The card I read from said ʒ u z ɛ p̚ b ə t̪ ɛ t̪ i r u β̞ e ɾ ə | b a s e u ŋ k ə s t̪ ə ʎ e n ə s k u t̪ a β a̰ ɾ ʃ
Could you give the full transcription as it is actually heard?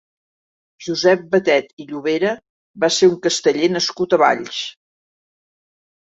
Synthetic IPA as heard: ʒ u z ɛ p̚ b ə t̪ ɛ t̪ i ʎ u β̞ e ɾ ə | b a s e u ŋ k ə s t̪ ə ʎ e n ə s k u t̪ ə β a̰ ʎ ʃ